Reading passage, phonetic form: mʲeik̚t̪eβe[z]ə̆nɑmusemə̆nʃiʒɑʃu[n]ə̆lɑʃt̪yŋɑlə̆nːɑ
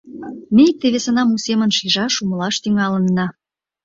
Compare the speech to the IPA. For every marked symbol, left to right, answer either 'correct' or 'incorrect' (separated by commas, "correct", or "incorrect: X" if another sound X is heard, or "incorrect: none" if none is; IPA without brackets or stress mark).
incorrect: s, incorrect: m